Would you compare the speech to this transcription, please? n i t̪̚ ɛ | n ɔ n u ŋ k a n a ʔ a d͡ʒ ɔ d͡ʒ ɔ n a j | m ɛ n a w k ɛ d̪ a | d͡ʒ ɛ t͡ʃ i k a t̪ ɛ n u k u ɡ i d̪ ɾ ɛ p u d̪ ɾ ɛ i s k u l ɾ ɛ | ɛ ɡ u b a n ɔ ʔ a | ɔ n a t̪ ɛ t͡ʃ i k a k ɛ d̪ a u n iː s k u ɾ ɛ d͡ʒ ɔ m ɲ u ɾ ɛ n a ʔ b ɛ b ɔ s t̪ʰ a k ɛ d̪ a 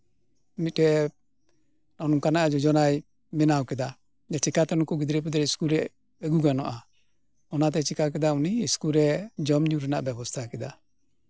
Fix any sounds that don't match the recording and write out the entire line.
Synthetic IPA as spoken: m i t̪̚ ɛ | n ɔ n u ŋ k a n a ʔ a d͡ʒ ɔ d͡ʒ ɔ n a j | m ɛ n a w k ɛ d̪ a | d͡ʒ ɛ t͡ʃ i k a t̪ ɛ n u k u ɡ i d̪ ɾ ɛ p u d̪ ɾ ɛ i s k u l ɾ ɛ | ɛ ɡ u ɡ a n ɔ ʔ a | ɔ n a t̪ ɛ t͡ʃ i k a k ɛ d̪ a u n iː s k u ɾ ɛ d͡ʒ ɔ m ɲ u ɾ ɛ n a ʔ b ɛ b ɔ s t̪ʰ a k ɛ d̪ a